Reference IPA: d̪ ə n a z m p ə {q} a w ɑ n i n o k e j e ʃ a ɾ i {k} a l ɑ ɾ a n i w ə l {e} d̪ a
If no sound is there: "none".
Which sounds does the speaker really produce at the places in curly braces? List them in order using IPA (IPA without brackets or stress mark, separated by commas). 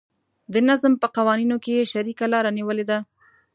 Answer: q, k, e